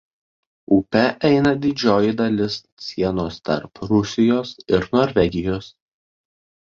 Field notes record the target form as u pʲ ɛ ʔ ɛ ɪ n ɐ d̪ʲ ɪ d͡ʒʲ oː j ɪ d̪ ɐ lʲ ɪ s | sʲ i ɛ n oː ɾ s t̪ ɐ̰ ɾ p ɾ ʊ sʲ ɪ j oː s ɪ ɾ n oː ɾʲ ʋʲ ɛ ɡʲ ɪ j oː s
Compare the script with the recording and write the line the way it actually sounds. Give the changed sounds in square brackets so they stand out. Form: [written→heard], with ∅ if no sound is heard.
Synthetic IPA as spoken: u pʲ ɛ ʔ ɛ ɪ n ɐ d̪ʲ ɪ d͡ʒʲ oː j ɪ d̪ ɐ lʲ ɪ s | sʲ i ɛ n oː [ɾ→∅] s t̪ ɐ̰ ɾ p ɾ ʊ sʲ ɪ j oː s ɪ ɾ n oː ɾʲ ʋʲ ɛ ɡʲ ɪ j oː s